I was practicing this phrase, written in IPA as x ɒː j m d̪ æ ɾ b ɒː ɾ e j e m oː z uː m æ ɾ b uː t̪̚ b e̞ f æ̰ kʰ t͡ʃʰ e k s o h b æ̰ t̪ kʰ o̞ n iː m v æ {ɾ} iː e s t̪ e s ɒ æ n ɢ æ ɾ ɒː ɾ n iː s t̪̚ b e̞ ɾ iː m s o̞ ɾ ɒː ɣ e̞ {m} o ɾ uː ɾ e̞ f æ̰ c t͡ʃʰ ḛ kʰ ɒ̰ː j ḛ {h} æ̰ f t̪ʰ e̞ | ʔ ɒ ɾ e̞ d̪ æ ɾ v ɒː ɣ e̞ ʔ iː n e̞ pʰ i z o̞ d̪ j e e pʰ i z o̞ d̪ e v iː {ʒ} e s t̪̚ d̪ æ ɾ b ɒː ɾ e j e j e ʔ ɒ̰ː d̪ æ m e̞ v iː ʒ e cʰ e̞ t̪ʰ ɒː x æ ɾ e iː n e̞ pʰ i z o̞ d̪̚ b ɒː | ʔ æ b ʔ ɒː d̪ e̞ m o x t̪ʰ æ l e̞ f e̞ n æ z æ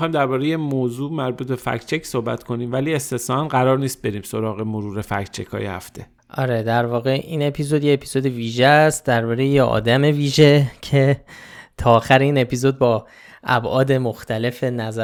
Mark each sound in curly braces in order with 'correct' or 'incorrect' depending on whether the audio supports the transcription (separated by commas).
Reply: incorrect, correct, correct, correct